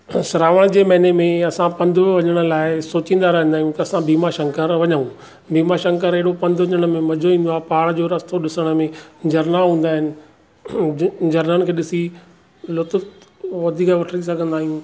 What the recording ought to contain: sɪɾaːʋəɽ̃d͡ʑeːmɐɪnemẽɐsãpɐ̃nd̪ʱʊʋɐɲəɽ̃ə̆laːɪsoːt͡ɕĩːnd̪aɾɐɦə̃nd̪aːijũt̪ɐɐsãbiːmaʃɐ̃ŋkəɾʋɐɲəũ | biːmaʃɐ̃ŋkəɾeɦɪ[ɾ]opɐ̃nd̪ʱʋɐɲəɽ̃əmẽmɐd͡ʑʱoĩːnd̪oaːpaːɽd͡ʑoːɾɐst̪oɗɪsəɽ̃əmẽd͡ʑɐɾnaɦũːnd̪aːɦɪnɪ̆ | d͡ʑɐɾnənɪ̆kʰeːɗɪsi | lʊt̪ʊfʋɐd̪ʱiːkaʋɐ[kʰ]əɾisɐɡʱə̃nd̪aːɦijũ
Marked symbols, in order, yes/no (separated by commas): no, no